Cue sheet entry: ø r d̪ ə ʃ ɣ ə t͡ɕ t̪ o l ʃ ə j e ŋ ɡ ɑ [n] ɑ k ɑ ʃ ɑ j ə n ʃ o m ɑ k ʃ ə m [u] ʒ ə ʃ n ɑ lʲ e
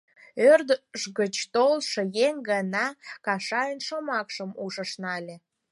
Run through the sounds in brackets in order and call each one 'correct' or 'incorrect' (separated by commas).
correct, correct